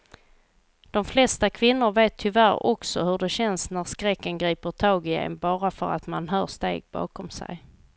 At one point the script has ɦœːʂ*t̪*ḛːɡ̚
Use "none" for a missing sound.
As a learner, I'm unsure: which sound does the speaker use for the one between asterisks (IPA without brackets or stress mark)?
t̪